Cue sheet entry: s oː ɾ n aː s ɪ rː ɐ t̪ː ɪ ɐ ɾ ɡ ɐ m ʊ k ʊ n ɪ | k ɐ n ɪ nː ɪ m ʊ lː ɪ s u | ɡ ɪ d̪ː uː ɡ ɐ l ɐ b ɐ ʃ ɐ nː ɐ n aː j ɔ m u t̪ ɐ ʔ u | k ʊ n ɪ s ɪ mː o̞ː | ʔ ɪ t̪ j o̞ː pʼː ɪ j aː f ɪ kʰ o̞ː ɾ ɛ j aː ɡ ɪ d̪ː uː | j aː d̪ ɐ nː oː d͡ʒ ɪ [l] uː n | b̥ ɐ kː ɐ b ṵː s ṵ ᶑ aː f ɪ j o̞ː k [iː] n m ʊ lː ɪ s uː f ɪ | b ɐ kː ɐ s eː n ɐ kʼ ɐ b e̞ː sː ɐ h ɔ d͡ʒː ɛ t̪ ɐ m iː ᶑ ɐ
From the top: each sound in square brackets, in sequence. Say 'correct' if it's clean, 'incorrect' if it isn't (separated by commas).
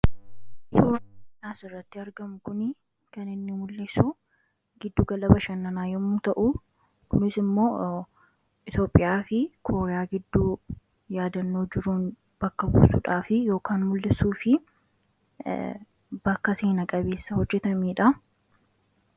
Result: incorrect, incorrect